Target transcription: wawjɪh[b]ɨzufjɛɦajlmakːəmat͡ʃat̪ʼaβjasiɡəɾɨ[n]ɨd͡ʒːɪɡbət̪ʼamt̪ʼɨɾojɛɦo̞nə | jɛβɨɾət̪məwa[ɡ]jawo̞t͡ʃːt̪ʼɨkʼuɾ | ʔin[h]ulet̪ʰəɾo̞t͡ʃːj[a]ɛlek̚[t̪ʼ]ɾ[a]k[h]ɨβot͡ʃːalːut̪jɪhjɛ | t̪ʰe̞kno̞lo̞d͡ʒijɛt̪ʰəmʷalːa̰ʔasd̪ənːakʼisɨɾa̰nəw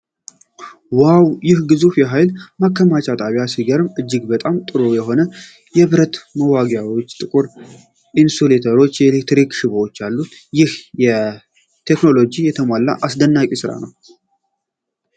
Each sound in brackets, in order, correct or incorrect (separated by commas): incorrect, incorrect, correct, incorrect, incorrect, incorrect, incorrect, incorrect